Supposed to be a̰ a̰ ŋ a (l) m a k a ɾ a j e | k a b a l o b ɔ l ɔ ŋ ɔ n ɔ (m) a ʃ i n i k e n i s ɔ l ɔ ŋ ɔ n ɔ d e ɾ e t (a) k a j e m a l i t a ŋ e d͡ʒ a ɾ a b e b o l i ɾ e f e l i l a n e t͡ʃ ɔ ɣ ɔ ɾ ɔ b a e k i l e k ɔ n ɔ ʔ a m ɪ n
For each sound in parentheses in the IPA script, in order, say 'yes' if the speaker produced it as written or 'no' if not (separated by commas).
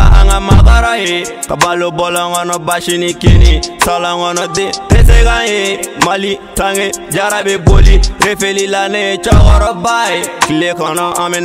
no, no, no